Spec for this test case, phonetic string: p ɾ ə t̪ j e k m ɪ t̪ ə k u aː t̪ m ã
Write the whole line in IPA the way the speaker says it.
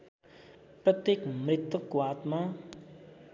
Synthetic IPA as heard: p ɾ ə t̪ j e k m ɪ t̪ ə k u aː t̪ m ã